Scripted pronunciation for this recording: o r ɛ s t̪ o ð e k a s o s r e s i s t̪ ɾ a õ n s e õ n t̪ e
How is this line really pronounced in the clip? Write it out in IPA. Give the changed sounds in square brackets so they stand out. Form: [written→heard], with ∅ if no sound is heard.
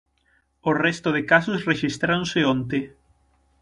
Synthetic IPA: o r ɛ s t̪ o ð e k a s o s r e [s→ʃ] i s t̪ ɾ a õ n s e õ n t̪ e